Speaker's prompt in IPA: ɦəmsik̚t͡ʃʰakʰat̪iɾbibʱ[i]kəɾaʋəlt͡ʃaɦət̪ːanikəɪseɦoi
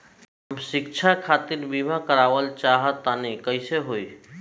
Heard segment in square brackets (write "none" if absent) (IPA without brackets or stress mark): a